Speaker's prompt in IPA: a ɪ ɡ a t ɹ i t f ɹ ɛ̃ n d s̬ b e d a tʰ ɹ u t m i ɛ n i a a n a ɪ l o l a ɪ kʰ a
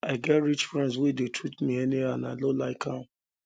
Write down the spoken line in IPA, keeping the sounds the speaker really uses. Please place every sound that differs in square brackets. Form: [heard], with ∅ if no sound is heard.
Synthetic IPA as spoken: a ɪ ɡ [ɛ] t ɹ i [t͡ʃ] f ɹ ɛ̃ n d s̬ [w] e d [e] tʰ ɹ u t m i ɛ n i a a n a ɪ l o l a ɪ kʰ a